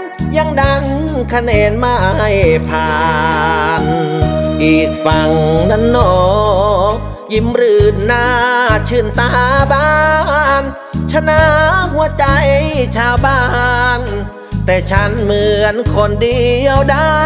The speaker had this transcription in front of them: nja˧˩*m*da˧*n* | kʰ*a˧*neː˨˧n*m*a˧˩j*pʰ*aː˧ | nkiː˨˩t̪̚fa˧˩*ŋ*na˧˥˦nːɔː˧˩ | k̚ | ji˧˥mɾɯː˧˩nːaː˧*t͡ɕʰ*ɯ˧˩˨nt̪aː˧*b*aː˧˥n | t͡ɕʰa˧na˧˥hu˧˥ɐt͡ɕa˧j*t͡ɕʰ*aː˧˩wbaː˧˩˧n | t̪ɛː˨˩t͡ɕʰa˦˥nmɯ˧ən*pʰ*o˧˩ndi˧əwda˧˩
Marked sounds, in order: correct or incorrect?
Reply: incorrect, correct, correct, correct, correct, correct, correct, correct, correct, incorrect

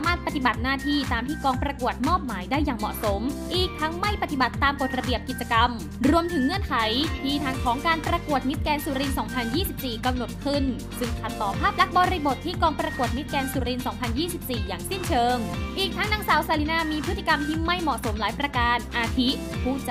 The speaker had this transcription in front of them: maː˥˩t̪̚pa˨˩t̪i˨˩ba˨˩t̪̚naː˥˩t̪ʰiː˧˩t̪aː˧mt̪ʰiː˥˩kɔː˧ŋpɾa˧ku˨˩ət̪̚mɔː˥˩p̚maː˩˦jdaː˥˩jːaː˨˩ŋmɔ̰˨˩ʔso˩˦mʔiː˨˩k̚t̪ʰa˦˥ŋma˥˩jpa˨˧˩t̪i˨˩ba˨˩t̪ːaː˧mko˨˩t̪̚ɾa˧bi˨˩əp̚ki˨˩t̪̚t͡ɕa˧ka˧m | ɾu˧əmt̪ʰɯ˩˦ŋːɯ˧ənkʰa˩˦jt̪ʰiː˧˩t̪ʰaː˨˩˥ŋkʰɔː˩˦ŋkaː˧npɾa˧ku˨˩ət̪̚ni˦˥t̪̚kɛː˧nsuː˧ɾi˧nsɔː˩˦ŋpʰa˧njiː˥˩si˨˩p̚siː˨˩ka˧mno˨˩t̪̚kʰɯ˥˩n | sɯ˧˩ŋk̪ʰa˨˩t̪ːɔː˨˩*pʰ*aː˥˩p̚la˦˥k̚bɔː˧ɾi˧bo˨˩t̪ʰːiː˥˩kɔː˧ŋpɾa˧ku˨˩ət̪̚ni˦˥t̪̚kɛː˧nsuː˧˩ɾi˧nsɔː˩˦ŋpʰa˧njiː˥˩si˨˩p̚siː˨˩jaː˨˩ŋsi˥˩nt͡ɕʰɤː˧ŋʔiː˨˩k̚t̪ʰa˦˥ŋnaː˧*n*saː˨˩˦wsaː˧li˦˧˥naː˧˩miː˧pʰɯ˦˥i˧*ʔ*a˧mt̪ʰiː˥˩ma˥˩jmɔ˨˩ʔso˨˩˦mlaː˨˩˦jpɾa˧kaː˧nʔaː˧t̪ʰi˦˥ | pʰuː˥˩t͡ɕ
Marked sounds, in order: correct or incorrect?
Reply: correct, incorrect, incorrect

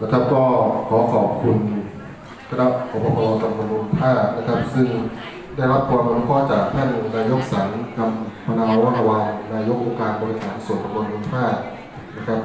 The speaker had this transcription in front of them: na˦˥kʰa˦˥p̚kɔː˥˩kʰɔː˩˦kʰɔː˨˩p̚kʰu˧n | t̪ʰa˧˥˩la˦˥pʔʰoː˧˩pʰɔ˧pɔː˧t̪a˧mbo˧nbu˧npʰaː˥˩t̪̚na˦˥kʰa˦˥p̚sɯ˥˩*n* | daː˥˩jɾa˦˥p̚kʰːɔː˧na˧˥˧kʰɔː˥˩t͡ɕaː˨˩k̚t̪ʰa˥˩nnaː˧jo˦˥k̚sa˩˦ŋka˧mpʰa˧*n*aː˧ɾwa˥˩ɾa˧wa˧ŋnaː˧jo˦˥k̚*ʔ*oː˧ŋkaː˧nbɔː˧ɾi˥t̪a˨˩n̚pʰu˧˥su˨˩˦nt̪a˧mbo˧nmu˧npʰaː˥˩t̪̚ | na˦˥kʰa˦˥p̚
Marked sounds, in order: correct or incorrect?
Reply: incorrect, correct, correct

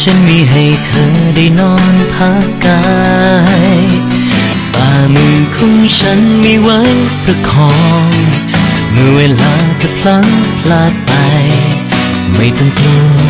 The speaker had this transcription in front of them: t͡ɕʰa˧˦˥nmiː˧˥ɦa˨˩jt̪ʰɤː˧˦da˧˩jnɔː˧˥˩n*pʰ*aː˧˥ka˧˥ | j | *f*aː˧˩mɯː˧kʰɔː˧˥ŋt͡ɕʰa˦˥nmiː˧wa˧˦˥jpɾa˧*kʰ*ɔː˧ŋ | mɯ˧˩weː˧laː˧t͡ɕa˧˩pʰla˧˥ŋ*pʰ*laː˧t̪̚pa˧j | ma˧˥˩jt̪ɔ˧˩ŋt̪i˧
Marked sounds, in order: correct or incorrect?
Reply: correct, correct, correct, correct

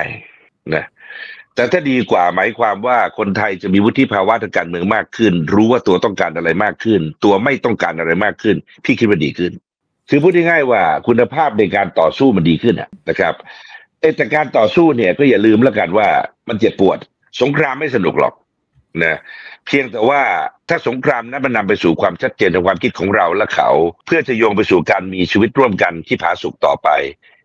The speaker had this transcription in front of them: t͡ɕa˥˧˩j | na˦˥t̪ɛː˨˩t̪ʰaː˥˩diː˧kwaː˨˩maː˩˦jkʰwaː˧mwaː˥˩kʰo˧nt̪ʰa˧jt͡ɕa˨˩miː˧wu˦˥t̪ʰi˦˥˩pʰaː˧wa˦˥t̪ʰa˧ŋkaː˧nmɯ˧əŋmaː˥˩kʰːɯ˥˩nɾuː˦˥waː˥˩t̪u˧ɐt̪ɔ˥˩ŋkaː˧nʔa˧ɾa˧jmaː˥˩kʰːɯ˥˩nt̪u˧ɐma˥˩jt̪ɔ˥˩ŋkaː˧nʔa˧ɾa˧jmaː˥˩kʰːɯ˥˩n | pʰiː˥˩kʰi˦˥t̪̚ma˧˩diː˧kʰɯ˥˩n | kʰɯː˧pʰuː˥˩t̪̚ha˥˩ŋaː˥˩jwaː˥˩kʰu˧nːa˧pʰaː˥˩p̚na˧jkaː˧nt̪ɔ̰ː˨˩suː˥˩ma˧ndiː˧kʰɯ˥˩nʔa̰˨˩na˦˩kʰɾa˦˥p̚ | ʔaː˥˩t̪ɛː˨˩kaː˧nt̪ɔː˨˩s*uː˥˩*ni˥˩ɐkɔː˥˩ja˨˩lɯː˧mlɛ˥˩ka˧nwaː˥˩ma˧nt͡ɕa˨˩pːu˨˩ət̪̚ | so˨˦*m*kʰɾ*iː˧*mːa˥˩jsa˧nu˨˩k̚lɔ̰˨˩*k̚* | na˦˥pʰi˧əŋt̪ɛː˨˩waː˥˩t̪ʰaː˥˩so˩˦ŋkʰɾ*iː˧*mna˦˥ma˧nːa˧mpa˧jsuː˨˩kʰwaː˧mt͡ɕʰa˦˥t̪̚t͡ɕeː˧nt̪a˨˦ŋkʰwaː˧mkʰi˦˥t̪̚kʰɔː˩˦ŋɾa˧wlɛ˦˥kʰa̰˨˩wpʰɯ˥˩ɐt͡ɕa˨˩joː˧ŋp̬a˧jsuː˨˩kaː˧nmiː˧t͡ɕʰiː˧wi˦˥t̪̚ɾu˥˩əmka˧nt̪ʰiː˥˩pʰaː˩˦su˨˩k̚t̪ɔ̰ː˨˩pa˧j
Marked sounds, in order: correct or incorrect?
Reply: correct, incorrect, incorrect, correct, incorrect

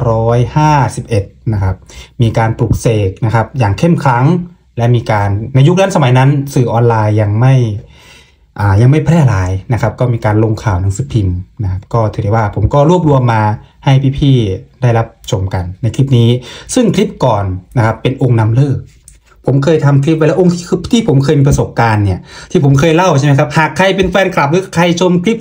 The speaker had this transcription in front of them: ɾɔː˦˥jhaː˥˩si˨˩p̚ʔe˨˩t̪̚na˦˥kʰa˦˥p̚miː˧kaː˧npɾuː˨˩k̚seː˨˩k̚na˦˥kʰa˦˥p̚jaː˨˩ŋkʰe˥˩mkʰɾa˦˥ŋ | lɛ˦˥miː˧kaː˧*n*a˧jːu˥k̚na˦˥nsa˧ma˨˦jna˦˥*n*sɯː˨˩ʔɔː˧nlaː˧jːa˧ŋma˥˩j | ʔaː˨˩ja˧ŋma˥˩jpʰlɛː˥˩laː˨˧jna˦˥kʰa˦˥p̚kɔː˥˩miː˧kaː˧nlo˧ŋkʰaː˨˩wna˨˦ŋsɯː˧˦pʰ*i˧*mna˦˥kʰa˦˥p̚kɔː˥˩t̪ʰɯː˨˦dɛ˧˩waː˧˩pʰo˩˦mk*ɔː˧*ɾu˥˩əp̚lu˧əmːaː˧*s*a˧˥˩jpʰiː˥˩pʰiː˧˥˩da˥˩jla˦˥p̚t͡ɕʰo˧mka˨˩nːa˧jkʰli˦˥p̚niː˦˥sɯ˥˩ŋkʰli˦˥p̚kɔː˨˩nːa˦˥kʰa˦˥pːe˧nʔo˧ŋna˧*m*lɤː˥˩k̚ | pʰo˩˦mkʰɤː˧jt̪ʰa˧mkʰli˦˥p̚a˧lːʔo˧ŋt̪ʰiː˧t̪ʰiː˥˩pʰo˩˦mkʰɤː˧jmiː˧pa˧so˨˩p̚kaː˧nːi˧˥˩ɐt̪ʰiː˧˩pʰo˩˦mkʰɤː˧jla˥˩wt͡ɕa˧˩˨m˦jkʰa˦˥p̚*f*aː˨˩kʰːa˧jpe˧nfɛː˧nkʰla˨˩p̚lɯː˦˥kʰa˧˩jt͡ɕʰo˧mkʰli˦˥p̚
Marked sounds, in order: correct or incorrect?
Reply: incorrect, correct, correct, incorrect, incorrect, correct, incorrect

